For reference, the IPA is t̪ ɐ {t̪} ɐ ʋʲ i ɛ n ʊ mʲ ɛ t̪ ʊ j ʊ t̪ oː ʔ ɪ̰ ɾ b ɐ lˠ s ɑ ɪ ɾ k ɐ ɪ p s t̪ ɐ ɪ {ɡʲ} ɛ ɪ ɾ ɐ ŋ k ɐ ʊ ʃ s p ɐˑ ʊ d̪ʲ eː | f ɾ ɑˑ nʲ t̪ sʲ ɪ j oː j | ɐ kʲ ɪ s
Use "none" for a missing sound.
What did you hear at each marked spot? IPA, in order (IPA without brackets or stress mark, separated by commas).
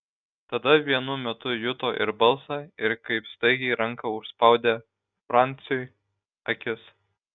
d̪, ɡʲ